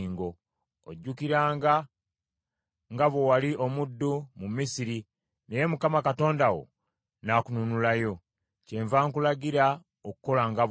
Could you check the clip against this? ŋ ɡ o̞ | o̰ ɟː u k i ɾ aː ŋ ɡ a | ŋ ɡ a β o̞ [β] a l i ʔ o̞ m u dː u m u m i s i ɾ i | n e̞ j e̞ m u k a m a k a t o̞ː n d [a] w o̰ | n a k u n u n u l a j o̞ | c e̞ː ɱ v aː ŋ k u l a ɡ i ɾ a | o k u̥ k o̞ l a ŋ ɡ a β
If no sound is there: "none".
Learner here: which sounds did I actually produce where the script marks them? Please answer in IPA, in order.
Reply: w, a

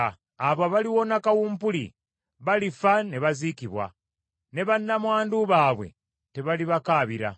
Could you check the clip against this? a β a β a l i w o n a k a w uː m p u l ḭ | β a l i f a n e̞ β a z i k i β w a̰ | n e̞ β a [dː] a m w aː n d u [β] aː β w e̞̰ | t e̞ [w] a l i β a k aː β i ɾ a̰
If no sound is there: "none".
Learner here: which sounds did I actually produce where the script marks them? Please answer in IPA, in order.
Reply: nː, β, β

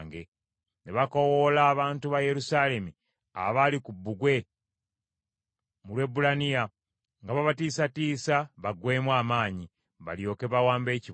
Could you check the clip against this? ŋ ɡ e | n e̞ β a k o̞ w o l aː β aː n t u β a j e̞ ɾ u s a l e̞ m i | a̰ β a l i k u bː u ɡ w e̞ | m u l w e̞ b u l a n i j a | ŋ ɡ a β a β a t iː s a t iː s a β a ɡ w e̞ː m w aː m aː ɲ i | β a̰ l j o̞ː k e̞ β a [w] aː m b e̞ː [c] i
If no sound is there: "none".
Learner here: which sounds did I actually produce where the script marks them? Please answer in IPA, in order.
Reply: w, c

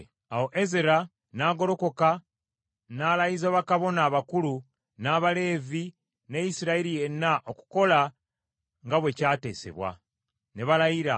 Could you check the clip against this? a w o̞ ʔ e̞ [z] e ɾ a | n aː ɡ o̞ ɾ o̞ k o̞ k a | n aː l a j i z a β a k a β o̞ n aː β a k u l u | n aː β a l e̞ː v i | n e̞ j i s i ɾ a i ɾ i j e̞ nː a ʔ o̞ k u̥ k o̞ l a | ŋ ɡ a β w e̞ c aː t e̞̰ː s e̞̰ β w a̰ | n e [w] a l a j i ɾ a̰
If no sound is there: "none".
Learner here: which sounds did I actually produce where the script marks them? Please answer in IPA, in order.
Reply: z, β

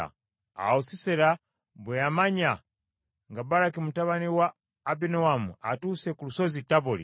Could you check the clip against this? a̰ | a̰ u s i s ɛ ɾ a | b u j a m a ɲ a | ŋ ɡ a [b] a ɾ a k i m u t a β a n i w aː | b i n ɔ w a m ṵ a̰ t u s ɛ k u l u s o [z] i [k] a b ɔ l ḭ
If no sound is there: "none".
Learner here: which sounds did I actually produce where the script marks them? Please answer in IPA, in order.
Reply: b, z, t

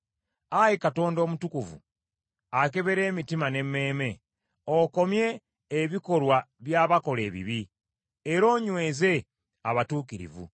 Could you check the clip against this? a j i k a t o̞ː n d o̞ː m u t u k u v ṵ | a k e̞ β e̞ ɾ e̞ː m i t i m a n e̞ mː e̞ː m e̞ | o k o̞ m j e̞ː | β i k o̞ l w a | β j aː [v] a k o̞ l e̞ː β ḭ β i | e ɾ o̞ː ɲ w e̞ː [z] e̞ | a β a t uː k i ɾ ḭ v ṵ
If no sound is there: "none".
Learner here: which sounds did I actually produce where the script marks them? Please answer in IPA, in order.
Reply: β, z

